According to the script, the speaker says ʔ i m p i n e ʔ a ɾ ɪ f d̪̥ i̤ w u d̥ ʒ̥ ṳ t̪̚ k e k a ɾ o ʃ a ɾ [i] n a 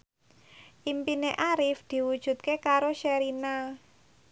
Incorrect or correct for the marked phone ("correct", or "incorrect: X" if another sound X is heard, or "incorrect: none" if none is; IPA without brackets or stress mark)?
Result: correct